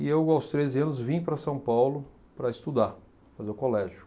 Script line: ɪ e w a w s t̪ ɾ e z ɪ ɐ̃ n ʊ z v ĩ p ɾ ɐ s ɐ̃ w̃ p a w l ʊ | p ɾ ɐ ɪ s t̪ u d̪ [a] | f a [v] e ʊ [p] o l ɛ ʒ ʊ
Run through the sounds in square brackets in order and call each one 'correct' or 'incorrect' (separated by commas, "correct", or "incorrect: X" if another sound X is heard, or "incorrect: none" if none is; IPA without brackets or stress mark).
correct, incorrect: z, incorrect: k